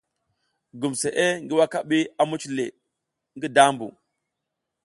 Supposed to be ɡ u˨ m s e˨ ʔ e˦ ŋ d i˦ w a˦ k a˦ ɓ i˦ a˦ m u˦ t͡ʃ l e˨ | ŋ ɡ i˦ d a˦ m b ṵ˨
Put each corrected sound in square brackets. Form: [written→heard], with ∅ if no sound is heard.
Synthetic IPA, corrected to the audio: ɡ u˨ m s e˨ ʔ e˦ ŋ [d→ɡ] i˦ w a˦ k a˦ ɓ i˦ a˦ m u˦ t͡ʃ l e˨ | ŋ ɡ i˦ d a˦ m b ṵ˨